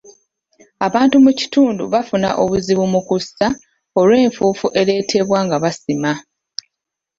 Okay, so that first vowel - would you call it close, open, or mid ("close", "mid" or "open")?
open